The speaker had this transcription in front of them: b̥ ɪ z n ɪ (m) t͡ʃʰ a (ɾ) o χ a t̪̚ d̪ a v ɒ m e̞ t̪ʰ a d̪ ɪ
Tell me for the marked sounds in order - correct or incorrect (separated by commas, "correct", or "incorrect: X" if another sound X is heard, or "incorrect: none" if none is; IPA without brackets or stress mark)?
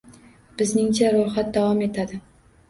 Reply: incorrect: ŋ, correct